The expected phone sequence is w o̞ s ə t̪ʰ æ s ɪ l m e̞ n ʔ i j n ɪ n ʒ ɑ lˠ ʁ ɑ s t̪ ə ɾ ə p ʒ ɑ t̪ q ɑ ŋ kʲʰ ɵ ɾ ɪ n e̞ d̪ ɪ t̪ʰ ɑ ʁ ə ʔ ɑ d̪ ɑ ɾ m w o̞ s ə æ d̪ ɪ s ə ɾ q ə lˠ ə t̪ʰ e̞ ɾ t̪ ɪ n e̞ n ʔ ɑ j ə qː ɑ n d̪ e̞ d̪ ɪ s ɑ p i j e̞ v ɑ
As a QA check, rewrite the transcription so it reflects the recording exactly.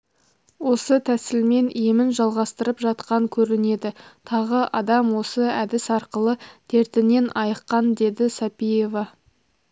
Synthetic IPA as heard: w o̞ s ə t̪ʰ æ s ɪ l m e̞ n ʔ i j m ɪ n ʒ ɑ lˠ ʁ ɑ s t̪ ə ɾ ə p ʒ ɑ t̪ q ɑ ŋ kʲʰ ɵ ɾ ɪ n e̞ d̪ ɪ t̪ʰ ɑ ʁ ə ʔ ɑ d̪ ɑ m w o̞ s ə æ d̪ ɪ s ɑ ɾ q ə lˠ ə t̪ʰ e̞ ɾ t̪ ɪ n e̞ n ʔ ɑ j ə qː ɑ n d̪ e̞ d̪ ɪ s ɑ p i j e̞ v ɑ

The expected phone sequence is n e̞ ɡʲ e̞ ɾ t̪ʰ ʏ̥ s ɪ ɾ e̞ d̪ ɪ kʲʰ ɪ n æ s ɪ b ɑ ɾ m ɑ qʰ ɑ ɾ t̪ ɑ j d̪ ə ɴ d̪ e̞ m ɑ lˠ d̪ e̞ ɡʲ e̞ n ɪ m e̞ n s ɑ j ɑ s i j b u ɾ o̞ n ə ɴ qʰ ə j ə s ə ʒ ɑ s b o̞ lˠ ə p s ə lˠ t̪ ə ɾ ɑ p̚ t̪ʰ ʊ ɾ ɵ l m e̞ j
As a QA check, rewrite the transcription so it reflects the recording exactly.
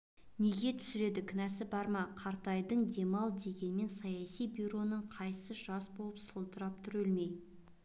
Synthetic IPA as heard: n e̞ ɡʲ e̞ t̪ʰ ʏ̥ s ɪ ɾ e̞ d̪ ɪ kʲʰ ɪ n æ s ɪ b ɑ ɾ m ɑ qʰ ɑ ɾ t̪ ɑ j d̪ ə ɴ d̪ e̞ m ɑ lˠ d̪ e̞ ɡʲ e̞ n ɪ m e̞ n s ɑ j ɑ s i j b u ɾ o̞ n ə ɴ qʰ ɑ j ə s ə ʒ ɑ s b o̞ lˠ ə p s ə lˠ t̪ ə ɾ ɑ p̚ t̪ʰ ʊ ɾ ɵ l m e̞ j

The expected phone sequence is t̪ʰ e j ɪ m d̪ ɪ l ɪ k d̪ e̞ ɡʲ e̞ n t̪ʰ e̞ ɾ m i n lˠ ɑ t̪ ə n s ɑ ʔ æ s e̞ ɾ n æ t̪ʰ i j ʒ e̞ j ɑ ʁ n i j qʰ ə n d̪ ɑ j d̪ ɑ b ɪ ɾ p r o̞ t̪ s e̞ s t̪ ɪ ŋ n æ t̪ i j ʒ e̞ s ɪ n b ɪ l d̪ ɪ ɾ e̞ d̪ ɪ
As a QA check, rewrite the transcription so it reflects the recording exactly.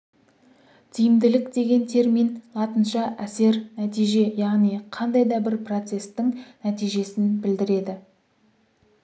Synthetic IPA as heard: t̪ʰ i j ɪ m d̪ ɪ l ɪ k d̪ e̞ ɡʲ e̞ n t̪ʰ e̞ ɾ m i n lˠ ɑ t̪ ə n ʃ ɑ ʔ æ s e̞ ɾ n æ t̪ i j ʒ e̞ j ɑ ʁ n i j qʰ ɑ n d̪ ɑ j d̪ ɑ b ɪ ɾ p r o̞ t̪ s e̞ s t̪ ɪ ŋ n æ t̪ i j ʒ e̞ s ɪ n b ɪ l d̪ ɪ ɾ e̞ d̪ ɪ

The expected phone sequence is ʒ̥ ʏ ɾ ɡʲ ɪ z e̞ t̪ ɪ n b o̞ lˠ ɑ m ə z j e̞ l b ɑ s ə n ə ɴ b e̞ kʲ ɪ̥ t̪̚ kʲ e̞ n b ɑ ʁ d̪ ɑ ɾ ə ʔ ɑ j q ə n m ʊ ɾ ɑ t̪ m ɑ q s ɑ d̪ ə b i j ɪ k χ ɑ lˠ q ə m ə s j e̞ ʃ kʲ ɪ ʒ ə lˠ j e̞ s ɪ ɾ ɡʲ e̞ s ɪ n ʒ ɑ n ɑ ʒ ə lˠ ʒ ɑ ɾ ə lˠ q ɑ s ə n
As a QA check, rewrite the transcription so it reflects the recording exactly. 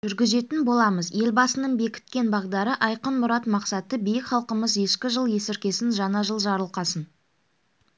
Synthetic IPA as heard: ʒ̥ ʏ ɾ ɡʲ ɪ z e̞ t̪ ɪ n b o̞ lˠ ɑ m ə z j e̞ l b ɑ s ə n ə ɴ b e̞ kʲ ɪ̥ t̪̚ kʲ e̞ n b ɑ ʁ d̪ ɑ ɾ ə ʔ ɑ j q ə n m ʊ ɾ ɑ t̪ m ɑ q s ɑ t̪ ə b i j ɪ k χ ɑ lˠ q ə m ə z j e̞ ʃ kʲ ɪ ʒ ə lˠ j e̞ s ɪ ɾ kʲ e̞ s ɪ n ʒ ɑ n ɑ ʒ ə lˠ ʒ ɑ ɾ ə lˠ q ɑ s ə n

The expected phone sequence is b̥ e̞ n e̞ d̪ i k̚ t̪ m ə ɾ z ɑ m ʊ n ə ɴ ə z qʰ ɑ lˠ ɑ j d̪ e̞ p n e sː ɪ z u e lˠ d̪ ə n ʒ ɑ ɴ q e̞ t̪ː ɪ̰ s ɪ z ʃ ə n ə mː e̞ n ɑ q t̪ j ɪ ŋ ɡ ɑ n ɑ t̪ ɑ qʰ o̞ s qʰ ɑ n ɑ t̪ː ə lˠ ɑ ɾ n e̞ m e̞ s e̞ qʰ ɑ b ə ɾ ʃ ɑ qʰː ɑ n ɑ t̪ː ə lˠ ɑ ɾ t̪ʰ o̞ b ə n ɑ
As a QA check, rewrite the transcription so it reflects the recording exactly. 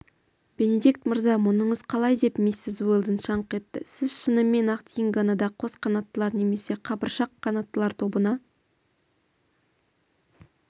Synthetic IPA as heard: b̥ e̞ n e̞ d̪ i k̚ t̪ m ə ɾ z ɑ m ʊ n ə ɴ ə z qʰ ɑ lˠ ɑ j d̪ e̞ p m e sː ɪ z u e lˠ d̪ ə n ʃ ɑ ɴ q e̞ t̪ː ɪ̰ s ɪ z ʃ ə n ə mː e̞ n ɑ q t̪ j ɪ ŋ ɡ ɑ n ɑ d̪ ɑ qʰ o̞ s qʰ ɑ n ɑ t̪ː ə lˠ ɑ ɾ n e̞ m e̞ s e̞ qʰ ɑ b ə ɾ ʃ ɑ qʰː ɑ n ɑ t̪ː ə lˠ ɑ ɾ t̪ʰ o̞ b ə n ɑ

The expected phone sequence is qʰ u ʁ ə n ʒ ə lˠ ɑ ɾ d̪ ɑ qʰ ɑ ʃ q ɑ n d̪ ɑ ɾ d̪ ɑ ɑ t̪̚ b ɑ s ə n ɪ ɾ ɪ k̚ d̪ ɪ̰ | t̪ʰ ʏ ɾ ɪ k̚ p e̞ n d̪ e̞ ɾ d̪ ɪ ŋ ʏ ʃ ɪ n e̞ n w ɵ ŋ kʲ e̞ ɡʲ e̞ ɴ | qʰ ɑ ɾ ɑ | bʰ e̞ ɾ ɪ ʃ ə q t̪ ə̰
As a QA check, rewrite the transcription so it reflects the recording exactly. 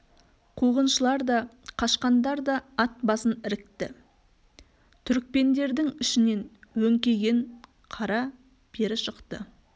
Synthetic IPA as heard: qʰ u ʁ ə n ʃ ə lˠ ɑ ɾ d̪ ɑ qʰ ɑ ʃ q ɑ n d̪ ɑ ɾ d̪ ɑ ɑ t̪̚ b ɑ s ə n ɪ ɾ ɪ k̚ t̪ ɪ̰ | t̪ʰ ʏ ɾ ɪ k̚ p e̞ n d̪ e̞ ɾ d̪ ɪ ŋ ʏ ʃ ɪ n e̞ n w ɵ ŋ kʲ e̞ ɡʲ e̞ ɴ | qʰ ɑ ɾ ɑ | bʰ e̞ ɾ ɪ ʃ ə q t̪ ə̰

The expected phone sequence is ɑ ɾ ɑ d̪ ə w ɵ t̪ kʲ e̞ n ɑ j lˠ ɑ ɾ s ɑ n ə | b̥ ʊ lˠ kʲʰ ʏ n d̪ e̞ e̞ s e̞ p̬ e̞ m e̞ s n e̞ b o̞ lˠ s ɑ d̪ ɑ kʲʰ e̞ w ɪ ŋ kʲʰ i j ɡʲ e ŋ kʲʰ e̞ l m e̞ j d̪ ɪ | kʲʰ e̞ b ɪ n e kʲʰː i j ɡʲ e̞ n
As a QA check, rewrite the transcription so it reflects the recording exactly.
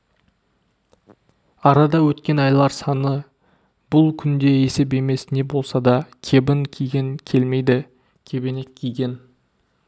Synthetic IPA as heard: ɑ ɾ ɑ d̪ ɑ w ɵ t̪ kʲ e̞ n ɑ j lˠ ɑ ɾ s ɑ n ə | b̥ ʊ lˠ kʲʰ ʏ n d̪ e̞ e̞ s e̞ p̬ e̞ m e̞ s n e̞ b o̞ lˠ s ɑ d̪ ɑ kʲʰ e̞ b ɪ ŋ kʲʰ i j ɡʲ e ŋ kʲʰ e̞ l m e̞ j d̪ ɪ | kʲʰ e̞ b ɪ n e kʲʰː i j ɡʲ e̞ n

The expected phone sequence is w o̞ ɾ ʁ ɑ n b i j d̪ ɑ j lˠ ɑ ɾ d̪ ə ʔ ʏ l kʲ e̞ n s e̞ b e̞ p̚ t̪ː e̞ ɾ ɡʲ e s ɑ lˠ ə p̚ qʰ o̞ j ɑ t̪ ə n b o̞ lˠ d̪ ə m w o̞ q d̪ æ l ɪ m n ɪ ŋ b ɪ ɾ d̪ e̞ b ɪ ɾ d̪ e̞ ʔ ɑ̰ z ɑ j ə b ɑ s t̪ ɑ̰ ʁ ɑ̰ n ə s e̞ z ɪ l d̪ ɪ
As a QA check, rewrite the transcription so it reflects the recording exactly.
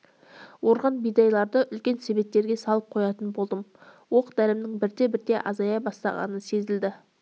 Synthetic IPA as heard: w o̞ ɾ ʁ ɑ n b i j d̪ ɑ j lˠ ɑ ɾ d̪ ə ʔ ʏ l kʲ e̞ n s e̞ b e̞ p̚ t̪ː e̞ ɾ ɡʲ e s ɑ lˠ ə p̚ qʰ o̞ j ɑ t̪ ə n b o̞ lˠ d̪ ə m w o̞ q d̪ æ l ɪ m n ɪ ŋ b ɪ ɾ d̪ e̞ b ɪ ɾ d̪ e̞ ʔ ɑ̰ z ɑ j ɑ b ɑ s t̪ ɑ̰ ʁ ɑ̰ n ə s e̞ z ɪ l d̪ ɪ

